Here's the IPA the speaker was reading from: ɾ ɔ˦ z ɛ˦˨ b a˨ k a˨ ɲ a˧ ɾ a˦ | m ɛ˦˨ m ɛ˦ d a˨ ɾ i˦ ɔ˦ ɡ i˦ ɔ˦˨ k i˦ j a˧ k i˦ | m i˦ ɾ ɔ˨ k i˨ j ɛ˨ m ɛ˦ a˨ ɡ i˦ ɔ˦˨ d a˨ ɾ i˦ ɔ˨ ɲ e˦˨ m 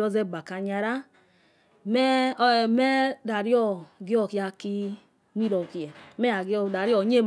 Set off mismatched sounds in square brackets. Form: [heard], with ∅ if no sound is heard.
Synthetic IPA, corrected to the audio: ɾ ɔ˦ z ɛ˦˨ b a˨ k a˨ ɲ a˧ ɾ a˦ | m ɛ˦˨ m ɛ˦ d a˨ ɾ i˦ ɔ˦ ɡ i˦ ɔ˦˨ k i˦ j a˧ k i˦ | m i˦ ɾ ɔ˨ k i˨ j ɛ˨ m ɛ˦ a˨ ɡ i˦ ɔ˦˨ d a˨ ɾ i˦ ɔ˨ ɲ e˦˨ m